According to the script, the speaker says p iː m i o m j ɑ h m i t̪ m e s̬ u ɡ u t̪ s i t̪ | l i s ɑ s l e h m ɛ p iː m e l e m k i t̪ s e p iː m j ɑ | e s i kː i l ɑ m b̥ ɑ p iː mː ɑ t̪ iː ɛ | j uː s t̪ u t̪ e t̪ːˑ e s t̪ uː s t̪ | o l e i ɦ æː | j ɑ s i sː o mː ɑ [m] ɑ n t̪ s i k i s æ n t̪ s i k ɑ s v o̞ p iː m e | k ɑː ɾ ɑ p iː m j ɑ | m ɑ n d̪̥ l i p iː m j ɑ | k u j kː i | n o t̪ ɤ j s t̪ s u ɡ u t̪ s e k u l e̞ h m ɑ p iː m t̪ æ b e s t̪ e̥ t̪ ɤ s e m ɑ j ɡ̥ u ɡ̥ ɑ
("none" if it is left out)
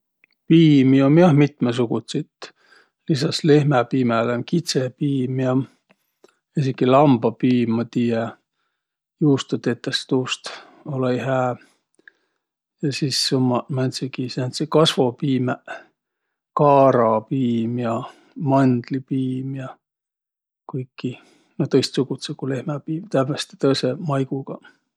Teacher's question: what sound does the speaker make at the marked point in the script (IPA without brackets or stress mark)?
m